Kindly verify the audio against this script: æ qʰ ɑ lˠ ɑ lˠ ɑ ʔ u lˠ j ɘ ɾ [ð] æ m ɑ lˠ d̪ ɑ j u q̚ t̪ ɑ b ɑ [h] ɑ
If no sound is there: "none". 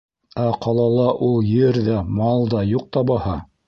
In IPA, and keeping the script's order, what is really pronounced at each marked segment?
ð, h

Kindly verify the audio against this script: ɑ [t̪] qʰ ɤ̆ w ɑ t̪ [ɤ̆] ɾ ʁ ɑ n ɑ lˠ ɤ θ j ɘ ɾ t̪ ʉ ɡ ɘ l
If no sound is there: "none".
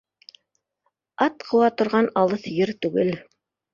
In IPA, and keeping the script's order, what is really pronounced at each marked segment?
t̪, ŏ

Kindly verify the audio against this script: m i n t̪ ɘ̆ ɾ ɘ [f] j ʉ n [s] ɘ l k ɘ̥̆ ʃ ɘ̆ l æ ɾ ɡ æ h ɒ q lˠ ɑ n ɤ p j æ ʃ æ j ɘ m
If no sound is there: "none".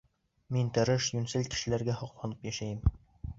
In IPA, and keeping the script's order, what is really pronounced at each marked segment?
ʃ, s

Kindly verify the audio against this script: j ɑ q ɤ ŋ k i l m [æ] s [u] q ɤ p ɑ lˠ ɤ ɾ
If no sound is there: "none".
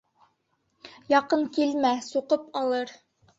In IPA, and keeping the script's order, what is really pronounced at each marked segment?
æ, u

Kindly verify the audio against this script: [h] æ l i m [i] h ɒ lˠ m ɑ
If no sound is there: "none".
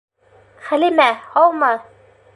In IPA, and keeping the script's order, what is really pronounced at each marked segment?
χ, æ

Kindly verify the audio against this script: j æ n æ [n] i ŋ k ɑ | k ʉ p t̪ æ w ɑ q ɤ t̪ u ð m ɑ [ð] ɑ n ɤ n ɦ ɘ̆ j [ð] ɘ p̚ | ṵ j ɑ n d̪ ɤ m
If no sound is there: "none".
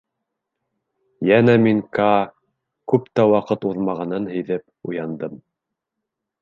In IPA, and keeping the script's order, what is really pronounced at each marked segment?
m, ʁ, ð

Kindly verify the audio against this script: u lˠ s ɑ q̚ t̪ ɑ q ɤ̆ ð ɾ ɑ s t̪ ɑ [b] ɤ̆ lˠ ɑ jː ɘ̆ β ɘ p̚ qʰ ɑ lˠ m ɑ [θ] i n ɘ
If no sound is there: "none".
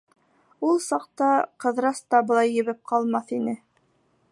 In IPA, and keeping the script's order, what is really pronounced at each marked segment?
b, θ

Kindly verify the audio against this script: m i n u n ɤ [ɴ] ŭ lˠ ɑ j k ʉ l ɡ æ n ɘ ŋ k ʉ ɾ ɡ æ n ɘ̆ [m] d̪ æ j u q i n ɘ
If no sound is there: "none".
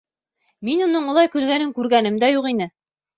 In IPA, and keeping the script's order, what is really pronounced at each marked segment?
ɴ, m

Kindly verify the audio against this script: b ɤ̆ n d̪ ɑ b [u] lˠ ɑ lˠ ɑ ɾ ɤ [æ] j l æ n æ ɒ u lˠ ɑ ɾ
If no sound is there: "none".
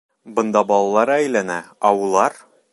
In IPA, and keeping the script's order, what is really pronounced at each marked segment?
ɒ, æ

